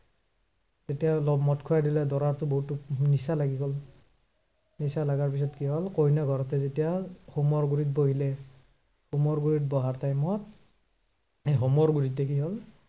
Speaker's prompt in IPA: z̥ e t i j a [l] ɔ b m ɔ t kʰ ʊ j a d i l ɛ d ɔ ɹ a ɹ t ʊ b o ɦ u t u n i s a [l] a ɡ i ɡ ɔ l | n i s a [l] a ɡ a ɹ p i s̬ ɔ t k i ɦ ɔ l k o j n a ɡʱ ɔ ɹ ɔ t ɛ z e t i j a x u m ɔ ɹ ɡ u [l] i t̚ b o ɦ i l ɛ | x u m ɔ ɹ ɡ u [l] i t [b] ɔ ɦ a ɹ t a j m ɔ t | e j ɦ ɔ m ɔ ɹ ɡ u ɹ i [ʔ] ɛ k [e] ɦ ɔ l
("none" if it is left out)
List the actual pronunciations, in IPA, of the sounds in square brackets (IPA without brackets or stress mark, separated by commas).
l, l, l, ɹ, ɹ, b, t, i